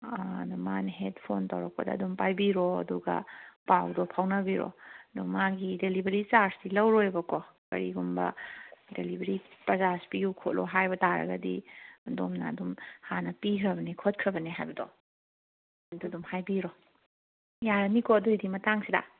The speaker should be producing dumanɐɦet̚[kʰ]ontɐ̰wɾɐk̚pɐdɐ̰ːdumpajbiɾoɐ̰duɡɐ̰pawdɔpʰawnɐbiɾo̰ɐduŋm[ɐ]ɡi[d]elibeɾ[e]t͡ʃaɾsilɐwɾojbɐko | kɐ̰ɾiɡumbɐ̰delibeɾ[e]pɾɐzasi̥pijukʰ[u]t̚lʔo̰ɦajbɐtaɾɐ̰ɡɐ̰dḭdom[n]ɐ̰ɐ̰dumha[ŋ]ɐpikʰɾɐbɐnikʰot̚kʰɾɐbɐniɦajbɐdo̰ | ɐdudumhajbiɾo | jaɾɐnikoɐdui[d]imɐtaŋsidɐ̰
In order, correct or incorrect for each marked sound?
incorrect, incorrect, correct, incorrect, incorrect, incorrect, correct, incorrect, correct

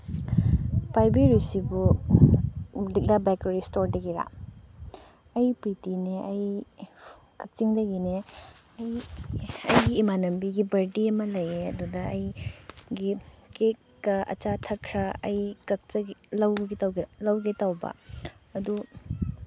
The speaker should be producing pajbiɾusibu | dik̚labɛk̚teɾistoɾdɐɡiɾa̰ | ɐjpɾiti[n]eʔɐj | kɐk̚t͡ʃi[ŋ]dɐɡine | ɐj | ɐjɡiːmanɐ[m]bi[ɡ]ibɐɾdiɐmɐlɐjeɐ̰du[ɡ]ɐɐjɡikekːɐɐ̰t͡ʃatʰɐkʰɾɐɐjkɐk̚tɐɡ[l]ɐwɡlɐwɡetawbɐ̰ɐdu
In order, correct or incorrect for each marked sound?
correct, correct, correct, correct, incorrect, correct

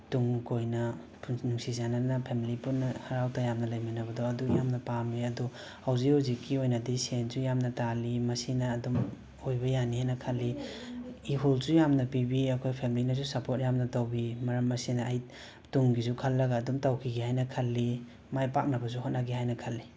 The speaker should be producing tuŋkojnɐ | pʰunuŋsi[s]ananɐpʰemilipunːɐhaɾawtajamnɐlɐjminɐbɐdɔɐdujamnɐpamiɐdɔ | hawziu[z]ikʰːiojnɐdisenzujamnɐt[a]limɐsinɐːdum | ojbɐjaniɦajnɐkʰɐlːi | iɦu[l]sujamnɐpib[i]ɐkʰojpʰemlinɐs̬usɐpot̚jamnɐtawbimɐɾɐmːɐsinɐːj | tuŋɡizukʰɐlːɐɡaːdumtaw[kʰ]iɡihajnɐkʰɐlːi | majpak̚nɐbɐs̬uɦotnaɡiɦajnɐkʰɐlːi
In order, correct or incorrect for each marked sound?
incorrect, correct, correct, correct, correct, correct

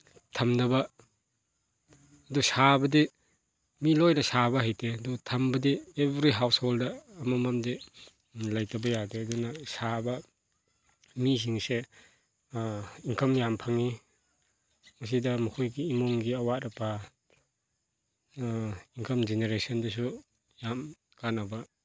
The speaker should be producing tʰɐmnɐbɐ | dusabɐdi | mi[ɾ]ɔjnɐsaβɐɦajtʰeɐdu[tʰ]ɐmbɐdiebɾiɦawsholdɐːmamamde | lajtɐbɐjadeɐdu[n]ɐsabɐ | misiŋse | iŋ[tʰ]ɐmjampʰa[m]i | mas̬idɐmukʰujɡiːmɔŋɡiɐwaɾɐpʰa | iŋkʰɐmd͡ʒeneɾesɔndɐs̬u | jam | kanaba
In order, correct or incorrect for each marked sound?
incorrect, correct, correct, incorrect, incorrect

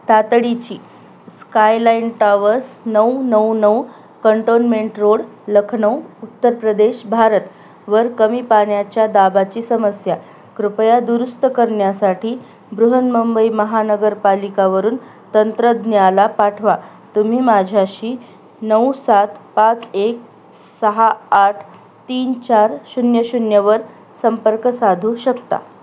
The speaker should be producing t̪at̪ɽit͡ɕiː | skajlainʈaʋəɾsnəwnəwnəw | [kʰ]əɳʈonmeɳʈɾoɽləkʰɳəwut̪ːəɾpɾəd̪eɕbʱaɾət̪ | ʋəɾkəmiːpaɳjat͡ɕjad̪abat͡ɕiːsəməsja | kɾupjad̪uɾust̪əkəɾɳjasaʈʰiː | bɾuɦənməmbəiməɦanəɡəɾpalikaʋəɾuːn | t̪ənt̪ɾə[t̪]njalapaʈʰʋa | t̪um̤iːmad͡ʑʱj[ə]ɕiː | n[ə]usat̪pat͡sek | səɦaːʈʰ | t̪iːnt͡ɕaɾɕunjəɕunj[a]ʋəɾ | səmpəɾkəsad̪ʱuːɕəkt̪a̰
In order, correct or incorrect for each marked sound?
incorrect, incorrect, incorrect, correct, incorrect

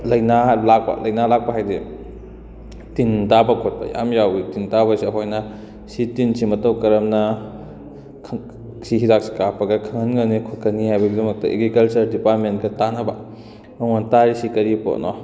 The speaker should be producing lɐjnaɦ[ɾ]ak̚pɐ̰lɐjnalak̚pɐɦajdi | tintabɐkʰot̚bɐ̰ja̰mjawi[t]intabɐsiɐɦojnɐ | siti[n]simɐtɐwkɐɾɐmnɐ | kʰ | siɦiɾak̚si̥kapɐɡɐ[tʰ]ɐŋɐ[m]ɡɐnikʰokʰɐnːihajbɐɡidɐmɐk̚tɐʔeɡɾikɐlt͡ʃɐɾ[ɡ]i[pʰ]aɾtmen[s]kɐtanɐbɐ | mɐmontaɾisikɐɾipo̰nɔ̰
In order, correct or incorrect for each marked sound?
incorrect, correct, correct, incorrect, incorrect, incorrect, incorrect, incorrect

